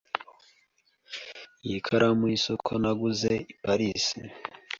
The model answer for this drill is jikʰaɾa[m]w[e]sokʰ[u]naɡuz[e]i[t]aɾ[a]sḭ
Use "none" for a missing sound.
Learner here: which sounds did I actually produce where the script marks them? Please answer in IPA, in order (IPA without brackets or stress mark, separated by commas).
m, i, o, e, p, i